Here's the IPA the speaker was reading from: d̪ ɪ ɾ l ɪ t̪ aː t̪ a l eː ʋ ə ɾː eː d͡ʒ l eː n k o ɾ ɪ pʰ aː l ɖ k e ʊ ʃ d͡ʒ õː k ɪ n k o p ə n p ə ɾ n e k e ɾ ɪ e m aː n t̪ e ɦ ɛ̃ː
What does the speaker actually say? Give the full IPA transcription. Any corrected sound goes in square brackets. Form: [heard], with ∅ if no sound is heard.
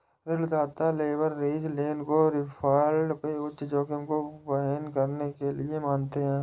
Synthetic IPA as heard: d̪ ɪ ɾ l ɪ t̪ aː t̪ a l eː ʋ ə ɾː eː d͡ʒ l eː n k o ɾ ɪ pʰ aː l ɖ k e ʊ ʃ d͡ʒ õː k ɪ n k o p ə n [k] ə ɾ n e k e [l] ɪ e m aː n t̪ e ɦ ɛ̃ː